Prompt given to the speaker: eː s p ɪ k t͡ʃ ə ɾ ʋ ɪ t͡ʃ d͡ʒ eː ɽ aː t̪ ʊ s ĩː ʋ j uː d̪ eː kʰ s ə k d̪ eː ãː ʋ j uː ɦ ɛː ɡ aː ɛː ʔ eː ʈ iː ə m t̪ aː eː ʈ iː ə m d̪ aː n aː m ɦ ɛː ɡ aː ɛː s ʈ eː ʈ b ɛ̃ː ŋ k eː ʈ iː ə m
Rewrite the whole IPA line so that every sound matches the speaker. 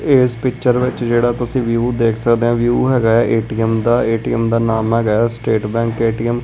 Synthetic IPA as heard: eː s p ɪ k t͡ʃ ə ɾ ʋ ɪ t͡ʃ d͡ʒ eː ɽ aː t̪ ʊ s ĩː ʋ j uː d̪ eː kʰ s ə k d̪ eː ãː ʋ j uː ɦ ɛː ɡ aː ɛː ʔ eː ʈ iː ə m d̪ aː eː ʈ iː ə m d̪ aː n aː m ɦ ɛː ɡ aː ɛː s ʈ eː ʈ b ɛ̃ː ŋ k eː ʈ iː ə m